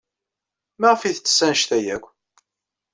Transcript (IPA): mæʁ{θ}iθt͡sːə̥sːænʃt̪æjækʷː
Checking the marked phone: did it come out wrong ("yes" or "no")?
yes